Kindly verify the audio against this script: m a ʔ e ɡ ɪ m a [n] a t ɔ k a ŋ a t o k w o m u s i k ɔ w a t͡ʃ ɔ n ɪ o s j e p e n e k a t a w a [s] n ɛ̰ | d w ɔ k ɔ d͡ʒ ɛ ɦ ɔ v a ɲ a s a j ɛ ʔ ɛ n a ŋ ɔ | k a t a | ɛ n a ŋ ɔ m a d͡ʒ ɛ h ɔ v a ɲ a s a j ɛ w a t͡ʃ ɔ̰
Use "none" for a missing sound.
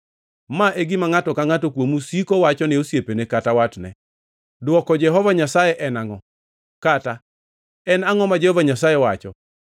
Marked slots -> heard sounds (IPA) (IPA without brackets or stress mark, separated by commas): ŋ, t